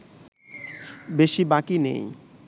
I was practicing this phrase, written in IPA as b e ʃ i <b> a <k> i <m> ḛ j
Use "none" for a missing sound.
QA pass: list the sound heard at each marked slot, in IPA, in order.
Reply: b, k, n

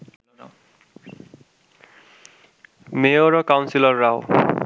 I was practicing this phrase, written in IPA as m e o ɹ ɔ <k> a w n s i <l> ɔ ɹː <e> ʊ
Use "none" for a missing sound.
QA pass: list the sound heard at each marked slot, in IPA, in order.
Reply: k, l, a

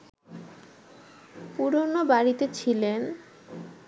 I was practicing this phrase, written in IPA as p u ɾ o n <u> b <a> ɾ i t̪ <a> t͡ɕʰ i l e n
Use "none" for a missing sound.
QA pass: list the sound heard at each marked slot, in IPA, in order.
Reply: o, a, e

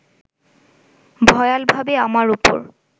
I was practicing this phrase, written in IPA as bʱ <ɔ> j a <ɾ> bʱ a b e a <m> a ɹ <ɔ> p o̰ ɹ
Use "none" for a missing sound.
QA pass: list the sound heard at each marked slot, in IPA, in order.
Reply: ɔ, l, m, u

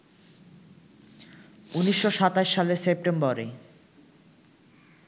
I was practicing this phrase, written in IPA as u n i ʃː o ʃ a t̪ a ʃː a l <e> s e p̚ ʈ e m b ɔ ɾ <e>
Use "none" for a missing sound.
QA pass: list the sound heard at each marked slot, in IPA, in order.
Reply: e, e

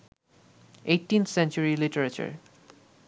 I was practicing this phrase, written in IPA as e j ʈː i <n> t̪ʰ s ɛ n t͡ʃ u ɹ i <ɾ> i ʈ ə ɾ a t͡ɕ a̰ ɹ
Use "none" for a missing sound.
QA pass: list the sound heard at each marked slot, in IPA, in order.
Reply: n, l

